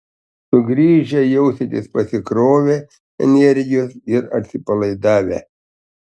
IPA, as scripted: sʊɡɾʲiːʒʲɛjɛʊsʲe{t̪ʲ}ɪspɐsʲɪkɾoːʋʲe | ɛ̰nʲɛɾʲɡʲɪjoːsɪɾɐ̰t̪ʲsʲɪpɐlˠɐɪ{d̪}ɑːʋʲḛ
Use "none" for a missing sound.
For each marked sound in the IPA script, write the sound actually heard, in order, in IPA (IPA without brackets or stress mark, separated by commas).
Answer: t̪ʲ, d̪